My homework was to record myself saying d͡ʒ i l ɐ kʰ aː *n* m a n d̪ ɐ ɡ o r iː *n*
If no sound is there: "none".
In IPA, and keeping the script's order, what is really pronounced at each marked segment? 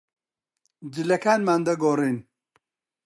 n, n

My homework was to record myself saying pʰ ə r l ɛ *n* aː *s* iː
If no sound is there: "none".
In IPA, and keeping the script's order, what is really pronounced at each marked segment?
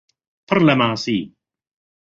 m, s

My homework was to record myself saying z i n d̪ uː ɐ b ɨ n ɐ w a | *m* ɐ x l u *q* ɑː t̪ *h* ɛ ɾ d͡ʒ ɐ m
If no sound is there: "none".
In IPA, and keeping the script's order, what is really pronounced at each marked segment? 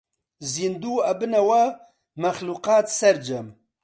m, q, s

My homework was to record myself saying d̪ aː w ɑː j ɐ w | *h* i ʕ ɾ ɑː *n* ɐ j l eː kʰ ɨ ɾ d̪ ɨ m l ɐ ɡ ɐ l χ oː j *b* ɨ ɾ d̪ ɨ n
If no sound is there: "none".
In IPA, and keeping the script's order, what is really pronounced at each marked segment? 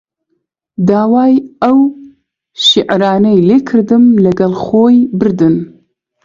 ʃ, n, b

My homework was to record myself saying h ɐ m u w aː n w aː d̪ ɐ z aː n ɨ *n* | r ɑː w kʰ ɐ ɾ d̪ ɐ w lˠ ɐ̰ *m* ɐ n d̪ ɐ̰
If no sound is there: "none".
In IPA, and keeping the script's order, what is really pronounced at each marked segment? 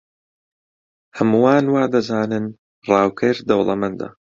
n, m

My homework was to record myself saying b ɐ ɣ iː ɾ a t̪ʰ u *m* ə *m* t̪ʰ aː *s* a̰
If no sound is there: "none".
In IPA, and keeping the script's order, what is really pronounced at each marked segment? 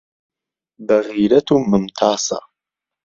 m, m, s

